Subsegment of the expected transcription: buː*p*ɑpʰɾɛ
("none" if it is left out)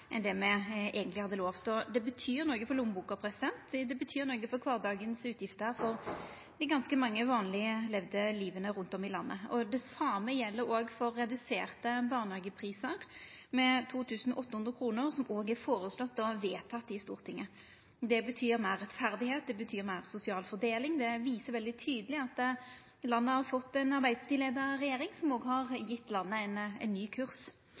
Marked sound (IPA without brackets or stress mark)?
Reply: k